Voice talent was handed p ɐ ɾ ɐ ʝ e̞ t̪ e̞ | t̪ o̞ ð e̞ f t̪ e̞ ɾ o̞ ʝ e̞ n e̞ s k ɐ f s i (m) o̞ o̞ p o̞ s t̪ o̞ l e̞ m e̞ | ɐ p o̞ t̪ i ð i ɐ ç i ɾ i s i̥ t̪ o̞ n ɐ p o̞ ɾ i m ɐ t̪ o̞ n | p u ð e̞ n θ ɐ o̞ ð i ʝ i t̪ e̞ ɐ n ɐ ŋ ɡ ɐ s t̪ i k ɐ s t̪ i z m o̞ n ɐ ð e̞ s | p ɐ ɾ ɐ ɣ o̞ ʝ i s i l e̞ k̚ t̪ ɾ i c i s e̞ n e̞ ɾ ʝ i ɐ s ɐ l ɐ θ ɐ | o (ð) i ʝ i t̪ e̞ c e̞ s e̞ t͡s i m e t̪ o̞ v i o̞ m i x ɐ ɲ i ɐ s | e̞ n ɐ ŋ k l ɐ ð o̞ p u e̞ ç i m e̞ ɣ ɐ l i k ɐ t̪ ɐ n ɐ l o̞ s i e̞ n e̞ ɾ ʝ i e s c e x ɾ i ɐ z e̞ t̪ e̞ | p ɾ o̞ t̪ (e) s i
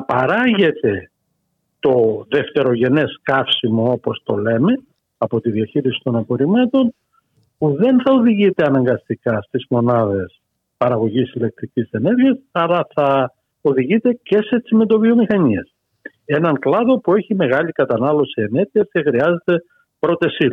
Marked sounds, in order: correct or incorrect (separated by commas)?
correct, correct, correct